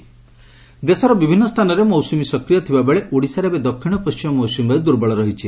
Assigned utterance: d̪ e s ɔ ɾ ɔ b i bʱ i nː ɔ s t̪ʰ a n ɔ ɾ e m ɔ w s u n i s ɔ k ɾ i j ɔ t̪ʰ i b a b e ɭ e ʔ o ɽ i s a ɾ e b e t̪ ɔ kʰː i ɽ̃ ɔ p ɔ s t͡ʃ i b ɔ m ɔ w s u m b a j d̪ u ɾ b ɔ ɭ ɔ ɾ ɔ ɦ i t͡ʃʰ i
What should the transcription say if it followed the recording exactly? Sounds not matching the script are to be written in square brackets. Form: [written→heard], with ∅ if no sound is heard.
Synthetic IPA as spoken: d̪ e s ɔ ɾ ɔ b i bʱ i nː ɔ s t̪ʰ a n ɔ ɾ e m ɔ w s u [n→m] i s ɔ k ɾ i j ɔ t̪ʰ i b a b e ɭ e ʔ o ɽ i s a ɾ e b e [t̪→d̪] ɔ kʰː i ɽ̃ ɔ p ɔ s t͡ʃ i [b→m] ɔ m ɔ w s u m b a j d̪ u ɾ b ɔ ɭ ɔ ɾ ɔ ɦ i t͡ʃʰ i